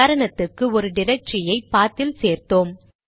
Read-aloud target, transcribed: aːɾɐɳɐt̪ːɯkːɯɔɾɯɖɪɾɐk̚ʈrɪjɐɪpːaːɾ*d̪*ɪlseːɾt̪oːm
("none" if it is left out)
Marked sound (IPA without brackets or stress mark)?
t̪